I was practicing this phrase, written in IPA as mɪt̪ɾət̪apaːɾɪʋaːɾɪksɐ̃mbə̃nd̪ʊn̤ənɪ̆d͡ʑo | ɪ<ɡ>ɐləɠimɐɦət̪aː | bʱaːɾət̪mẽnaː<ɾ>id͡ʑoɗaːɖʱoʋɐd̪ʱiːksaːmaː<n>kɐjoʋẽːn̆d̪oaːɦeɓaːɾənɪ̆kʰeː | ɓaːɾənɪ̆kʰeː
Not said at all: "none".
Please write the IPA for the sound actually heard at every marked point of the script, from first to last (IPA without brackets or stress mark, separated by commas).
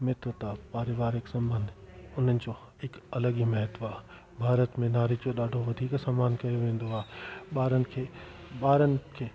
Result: k, ɾ, n